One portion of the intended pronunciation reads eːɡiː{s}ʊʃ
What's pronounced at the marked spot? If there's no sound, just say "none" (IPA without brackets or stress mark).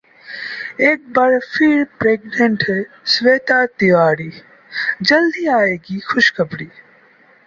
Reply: x